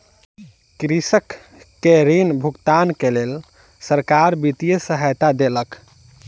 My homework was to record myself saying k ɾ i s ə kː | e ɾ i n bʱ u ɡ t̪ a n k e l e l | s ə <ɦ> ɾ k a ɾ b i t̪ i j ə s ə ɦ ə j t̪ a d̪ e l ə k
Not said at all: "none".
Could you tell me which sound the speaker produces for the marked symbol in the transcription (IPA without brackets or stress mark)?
none